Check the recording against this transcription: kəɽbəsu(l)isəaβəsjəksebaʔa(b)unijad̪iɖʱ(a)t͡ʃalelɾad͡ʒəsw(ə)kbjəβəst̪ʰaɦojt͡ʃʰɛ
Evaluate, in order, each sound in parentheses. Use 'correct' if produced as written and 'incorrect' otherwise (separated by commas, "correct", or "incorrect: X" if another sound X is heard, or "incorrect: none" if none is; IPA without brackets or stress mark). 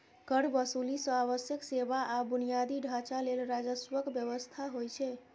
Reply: correct, correct, correct, correct